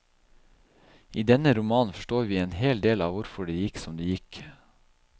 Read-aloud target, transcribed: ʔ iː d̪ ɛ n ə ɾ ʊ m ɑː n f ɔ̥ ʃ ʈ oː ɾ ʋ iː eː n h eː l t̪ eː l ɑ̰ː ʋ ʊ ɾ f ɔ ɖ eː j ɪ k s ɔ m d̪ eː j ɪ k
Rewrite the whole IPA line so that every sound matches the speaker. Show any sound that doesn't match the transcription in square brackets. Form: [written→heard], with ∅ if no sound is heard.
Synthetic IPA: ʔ iː d̪ ɛ n ə ɾ ʊ m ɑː n f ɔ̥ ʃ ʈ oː ɾ ʋ iː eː n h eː l [t̪→d̪] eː l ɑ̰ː ʋ ʊ ɾ f ɔ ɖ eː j ɪ k s ɔ m d̪ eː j ɪ k